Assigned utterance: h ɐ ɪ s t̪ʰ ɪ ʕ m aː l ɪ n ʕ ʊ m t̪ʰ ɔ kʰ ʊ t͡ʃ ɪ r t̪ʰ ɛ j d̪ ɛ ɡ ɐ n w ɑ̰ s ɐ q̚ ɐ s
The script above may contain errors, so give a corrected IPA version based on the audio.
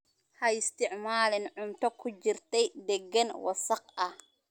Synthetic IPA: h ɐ ɪ s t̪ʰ ɪ ʕ m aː l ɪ n ʕ ʊ m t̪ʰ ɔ kʰ ʊ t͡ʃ ɪ r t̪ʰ ɛ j d̪ ɛ ɡ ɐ n w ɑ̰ s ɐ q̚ ɐ h